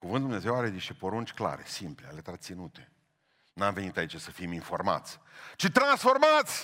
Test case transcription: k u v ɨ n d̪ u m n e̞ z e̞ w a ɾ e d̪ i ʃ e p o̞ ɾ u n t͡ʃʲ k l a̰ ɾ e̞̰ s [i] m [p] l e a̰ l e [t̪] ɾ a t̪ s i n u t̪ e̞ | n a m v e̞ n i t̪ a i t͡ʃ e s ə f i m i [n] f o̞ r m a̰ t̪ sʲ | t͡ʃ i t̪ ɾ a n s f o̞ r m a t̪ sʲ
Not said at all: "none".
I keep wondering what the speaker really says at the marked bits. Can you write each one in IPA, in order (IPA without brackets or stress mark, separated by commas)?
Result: i, p, t̪, n